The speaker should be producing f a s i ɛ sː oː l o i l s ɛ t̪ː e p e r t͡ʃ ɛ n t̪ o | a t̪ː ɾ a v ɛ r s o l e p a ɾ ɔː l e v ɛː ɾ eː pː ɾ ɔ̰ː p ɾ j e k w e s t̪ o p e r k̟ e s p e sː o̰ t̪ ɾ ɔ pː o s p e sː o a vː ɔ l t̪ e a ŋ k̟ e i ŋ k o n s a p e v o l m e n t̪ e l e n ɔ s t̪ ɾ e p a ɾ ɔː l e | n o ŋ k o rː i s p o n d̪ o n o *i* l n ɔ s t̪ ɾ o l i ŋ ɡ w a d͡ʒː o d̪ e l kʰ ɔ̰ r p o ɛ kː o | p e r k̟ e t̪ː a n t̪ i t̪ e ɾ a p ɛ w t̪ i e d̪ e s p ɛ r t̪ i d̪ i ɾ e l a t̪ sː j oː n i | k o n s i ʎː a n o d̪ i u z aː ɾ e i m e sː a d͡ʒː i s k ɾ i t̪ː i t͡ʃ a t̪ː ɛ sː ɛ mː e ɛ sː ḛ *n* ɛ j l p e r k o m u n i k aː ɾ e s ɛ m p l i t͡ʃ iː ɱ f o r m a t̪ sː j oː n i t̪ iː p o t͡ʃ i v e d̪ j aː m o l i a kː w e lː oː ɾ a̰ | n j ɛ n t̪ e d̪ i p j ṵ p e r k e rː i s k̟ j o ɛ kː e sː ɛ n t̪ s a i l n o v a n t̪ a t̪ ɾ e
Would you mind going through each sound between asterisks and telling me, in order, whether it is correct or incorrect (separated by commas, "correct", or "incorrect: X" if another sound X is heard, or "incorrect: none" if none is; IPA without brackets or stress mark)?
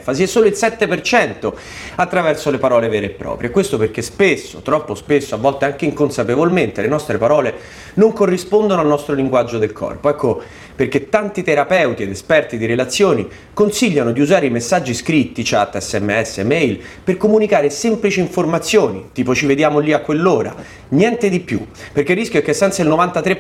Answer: incorrect: a, incorrect: m